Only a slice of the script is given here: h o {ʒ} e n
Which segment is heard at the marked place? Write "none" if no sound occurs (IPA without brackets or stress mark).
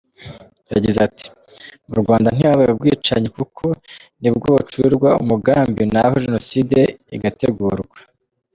ʒ